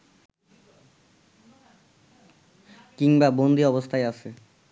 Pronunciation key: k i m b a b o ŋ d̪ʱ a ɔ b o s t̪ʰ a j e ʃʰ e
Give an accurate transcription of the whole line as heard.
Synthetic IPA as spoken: k i ŋ b a b o n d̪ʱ i ɔ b o s t̪ʰ a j a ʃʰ e

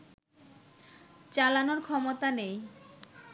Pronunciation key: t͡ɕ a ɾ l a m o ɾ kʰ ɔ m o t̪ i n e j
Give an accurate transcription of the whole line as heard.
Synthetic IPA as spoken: t͡ɕ a l a n o ɾ kʰ ɔ m o t̪ a n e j

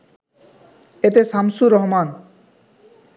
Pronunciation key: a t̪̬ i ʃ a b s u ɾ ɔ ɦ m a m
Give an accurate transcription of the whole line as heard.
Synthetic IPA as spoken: e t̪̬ e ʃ a m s u ɾ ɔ ɦ m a n

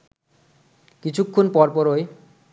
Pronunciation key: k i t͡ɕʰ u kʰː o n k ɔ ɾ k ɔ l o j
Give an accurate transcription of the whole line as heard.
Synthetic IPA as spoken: k i t͡ɕʰ u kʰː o n p ɔ ɾ p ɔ ɾ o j

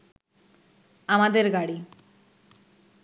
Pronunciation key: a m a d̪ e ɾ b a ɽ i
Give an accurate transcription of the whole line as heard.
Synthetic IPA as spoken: a m a d̪ e ɾ ɡ a ɽ i

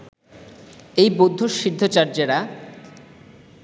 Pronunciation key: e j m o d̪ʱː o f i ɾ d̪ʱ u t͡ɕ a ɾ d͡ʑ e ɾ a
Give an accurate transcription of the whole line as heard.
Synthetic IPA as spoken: e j b o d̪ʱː o ʃ i ɾ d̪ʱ o t͡ɕ a ɾ d͡ʑ e ɾ a

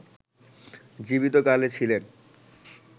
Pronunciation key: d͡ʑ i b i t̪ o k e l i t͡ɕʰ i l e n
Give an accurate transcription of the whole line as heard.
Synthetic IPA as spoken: d͡ʑ i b i t̪ o k a l e t͡ɕʰ i l e n

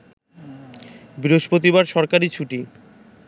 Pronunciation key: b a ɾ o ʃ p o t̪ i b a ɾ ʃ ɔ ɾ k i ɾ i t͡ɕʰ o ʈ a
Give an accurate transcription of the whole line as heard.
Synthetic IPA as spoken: b i ɾ o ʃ p o t̪ i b a ɾ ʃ ɔ ɾ k a ɾ i t͡ɕʰ u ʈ i

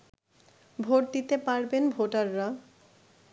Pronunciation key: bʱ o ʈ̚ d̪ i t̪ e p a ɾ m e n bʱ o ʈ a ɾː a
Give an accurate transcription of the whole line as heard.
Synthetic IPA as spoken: bʱ o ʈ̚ d̪ i t̪ e p a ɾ b e n bʱ o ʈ a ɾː a

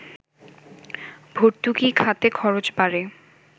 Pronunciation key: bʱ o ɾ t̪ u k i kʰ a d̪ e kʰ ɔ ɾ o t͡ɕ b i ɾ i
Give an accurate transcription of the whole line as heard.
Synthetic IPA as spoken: bʱ o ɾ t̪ u k i kʰ a t̪ e kʰ ɔ ɾ o t͡ɕ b a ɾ e

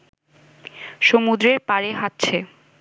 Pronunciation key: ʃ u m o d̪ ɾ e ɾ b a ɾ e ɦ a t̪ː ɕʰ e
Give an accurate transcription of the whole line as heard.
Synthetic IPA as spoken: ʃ o m u d̪ ɾ e ɾ p a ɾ e ɦ a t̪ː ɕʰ e

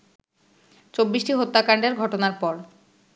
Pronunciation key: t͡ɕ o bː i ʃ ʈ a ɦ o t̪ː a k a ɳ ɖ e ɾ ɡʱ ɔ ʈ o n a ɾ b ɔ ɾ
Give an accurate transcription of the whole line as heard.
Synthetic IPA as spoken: t͡ɕ o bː i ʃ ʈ i ɦ o t̪ː a k a ɳ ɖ e ɾ ɡʱ ɔ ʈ o n a ɾ p ɔ ɾ

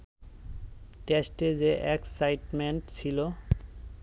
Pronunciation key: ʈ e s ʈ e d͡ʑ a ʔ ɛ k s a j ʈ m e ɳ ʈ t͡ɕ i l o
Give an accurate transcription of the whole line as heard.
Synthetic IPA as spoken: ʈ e s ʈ e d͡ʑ e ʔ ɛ k s a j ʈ m e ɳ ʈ t͡ɕʰ i l o

